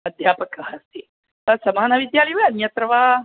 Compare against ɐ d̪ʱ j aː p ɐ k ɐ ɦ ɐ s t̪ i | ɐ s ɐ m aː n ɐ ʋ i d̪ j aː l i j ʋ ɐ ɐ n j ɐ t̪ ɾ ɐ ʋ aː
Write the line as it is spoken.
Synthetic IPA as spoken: ɐ d̪ʱ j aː p ɐ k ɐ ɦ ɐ s t̪ i | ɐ s ɐ m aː n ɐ ʋ i d̪ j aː l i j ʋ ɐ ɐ n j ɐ t̪ ɾ ɐ ʋ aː